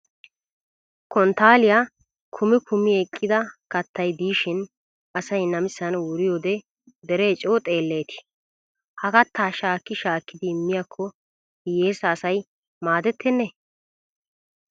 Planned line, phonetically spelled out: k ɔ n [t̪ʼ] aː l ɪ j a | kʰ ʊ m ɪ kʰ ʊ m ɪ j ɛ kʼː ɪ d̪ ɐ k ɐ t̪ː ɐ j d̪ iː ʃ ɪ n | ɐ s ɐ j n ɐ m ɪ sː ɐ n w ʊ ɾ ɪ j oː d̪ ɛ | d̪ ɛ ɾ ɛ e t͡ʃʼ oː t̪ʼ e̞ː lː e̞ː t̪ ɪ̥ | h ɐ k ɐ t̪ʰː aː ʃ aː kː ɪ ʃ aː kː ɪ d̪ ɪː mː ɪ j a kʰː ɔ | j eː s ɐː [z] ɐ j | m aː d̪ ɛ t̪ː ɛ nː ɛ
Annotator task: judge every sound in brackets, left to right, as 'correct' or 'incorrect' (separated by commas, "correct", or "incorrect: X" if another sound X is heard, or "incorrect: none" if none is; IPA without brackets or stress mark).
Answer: incorrect: t̪, incorrect: s